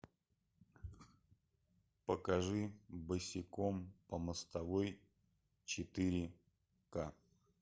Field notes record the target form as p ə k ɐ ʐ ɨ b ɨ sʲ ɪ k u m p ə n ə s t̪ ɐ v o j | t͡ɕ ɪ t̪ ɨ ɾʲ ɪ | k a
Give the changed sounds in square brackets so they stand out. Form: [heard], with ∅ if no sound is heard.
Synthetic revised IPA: p ə k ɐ ʐ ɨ b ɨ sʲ ɪ k [o] m p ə [m] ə s t̪ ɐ v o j | t͡ɕ ɪ t̪ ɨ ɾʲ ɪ | k a